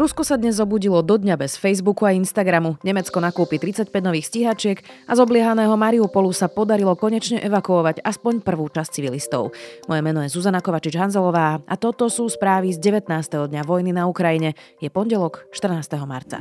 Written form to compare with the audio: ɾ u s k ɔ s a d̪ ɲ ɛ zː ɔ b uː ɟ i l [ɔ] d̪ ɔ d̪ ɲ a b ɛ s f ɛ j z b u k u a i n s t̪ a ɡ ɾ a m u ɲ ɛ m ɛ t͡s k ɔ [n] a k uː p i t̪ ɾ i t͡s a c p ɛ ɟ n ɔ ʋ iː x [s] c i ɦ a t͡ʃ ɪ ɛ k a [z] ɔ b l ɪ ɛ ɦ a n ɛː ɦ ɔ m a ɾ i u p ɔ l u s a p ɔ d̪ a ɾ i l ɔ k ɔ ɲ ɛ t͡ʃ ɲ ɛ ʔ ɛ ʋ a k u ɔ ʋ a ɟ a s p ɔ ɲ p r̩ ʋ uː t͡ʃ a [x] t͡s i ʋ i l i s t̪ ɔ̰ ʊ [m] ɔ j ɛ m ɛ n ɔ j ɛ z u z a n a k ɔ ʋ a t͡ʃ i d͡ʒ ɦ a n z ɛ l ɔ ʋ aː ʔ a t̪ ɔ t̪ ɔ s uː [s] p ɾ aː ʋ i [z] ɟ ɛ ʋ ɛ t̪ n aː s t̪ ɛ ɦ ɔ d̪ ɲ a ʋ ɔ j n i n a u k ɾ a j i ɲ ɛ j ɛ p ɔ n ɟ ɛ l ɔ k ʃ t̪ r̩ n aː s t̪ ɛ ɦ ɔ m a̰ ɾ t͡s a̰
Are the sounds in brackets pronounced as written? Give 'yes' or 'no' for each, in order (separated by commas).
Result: yes, yes, yes, yes, no, yes, yes, yes